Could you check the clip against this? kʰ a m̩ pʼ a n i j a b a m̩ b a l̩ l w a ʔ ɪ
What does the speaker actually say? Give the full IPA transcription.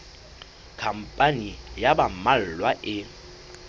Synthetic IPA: kʰ a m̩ pʼ a n i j a b a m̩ m a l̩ l w a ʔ ɪ